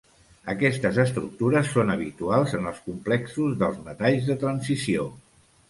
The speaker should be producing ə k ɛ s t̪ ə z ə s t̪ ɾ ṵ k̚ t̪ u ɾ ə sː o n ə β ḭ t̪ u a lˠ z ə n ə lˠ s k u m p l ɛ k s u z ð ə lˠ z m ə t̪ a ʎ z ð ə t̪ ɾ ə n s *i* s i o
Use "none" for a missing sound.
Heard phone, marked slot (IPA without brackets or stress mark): i